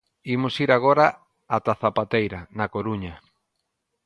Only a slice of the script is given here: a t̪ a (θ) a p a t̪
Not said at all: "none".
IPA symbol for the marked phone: θ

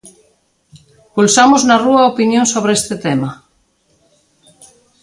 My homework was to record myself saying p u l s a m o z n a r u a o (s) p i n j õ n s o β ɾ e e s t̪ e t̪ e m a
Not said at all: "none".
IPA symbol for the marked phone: none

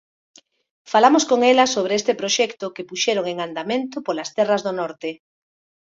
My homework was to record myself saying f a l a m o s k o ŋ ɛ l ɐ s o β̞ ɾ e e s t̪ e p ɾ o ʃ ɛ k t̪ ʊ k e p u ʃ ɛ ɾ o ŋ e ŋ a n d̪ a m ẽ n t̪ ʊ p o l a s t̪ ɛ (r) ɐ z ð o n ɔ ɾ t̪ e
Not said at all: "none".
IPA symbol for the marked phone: r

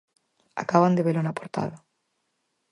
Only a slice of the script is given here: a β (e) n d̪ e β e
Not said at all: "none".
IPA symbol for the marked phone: a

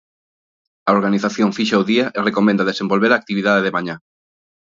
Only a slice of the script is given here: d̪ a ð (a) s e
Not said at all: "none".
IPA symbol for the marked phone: e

